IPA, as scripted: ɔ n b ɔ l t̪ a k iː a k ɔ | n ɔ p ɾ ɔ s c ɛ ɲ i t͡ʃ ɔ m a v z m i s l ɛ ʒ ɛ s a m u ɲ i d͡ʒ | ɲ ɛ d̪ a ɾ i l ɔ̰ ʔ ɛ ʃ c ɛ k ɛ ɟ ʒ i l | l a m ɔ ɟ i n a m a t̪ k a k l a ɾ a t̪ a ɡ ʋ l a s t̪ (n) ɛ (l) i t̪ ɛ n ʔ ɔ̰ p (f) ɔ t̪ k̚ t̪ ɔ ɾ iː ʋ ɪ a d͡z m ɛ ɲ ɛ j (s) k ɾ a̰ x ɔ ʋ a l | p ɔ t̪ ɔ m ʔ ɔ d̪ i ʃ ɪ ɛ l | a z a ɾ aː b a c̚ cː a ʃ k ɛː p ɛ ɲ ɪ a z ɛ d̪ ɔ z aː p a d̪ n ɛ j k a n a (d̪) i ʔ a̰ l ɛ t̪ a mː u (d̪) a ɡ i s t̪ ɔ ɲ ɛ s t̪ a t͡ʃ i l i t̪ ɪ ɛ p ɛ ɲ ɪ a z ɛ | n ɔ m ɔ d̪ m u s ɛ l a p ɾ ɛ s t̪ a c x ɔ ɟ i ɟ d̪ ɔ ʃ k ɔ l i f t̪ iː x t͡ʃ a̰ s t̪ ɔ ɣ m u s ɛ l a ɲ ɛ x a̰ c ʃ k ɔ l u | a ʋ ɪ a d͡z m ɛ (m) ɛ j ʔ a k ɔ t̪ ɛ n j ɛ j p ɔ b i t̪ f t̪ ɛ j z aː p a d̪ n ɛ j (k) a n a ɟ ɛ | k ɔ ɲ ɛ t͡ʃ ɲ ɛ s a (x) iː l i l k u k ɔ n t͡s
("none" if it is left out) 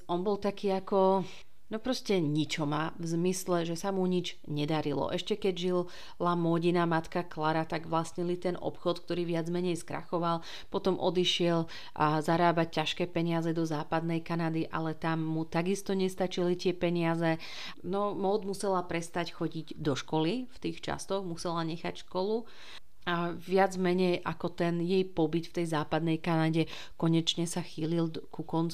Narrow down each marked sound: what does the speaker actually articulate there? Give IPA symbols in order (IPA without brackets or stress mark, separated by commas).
ɲ, l, x, s, d̪, t̪, ɲ, k, x